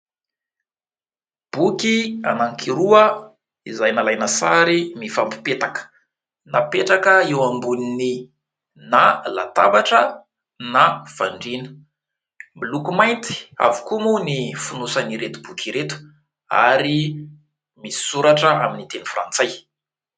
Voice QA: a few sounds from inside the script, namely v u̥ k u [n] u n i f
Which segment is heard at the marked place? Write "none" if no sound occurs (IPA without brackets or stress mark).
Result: m